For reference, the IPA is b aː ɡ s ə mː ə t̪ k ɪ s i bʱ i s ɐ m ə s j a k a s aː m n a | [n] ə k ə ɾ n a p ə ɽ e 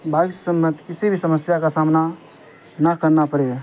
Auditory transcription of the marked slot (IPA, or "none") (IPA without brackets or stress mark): n